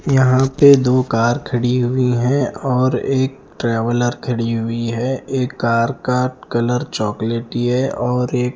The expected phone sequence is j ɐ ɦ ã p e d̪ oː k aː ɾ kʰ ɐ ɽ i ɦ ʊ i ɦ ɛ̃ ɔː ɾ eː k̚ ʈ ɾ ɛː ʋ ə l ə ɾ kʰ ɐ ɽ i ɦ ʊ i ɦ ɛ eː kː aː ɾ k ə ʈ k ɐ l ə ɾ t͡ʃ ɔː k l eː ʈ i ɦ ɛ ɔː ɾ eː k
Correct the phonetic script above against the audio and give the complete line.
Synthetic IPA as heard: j ɐ ɦ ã p e d̪ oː k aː ɾ kʰ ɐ ɽ i ɦ ʊ i ɦ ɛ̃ ɔː ɾ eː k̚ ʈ ɾ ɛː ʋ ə l ə ɾ kʰ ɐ ɽ i ɦ ʊ i ɦ ɛ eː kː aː ɾ k a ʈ k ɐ l ə ɾ t͡ʃ ɔː k l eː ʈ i ɦ ɛ ɔː ɾ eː k